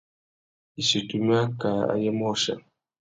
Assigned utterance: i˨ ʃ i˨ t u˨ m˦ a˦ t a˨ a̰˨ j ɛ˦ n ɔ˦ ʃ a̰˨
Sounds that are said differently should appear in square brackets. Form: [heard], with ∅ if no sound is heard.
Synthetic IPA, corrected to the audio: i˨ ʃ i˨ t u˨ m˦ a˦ [k] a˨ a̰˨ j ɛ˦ [m] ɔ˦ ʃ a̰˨

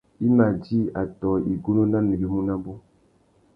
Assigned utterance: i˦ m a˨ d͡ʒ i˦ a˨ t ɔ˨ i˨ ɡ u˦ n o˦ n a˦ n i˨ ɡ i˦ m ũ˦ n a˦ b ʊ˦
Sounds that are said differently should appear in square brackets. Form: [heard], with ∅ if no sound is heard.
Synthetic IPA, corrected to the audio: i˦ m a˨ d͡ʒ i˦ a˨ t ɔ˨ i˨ ɡ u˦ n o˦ n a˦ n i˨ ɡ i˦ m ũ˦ n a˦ b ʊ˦

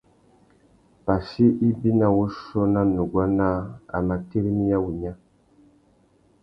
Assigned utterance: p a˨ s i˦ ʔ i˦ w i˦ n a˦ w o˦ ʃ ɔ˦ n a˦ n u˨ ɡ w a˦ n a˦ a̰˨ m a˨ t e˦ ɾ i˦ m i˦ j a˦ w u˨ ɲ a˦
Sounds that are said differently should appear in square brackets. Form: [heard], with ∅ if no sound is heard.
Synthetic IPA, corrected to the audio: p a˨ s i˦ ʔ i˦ [b] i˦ n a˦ w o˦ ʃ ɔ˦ n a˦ n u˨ ɡ w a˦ n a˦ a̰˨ m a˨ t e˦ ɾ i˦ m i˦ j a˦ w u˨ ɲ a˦

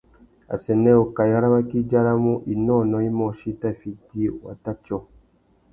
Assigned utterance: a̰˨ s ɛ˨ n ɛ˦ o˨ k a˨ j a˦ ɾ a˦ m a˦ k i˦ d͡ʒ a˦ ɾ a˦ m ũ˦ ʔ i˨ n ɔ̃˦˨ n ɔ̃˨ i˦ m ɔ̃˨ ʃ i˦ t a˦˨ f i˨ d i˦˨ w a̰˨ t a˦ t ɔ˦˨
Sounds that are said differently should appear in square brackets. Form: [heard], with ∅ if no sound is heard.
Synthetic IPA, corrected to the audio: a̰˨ s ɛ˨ n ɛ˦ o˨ k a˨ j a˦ ɾ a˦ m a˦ k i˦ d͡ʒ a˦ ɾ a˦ m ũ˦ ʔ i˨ n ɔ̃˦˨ n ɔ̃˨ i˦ m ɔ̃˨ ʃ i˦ t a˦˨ f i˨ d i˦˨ w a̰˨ t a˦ [t͡ʃ] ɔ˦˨

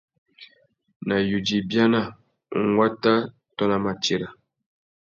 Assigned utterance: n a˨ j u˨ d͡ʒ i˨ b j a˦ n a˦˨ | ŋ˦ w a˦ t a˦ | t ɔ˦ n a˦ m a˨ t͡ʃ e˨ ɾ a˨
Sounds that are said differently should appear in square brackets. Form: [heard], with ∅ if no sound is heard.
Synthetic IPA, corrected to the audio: n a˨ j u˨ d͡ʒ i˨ b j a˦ n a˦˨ | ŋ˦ w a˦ t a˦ | t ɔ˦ n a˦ m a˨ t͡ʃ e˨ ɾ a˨

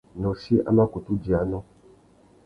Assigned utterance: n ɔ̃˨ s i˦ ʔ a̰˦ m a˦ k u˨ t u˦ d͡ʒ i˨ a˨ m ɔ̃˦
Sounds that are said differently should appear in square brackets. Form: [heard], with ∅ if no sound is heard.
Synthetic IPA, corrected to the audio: n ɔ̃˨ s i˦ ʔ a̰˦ m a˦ k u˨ t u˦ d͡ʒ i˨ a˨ [n] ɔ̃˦

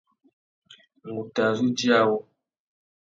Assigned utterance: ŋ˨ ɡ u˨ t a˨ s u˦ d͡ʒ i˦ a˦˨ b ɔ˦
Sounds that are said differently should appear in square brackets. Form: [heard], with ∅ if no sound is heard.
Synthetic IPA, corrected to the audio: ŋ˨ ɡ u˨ t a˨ [z] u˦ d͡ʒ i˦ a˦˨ [w] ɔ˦

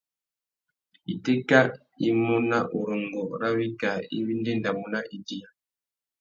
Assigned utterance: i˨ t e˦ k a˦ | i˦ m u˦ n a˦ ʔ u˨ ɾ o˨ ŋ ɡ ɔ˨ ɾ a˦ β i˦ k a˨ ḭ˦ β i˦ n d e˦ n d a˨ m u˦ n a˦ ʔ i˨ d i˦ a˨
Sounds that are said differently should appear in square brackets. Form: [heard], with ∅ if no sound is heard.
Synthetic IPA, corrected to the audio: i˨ t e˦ k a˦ | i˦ m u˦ n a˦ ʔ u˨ ɾ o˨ ŋ ɡ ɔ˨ ɾ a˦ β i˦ k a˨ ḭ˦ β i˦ n d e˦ n d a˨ m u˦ n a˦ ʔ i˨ d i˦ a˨

